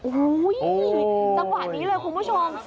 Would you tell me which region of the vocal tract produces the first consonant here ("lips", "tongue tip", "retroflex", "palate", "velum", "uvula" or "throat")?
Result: throat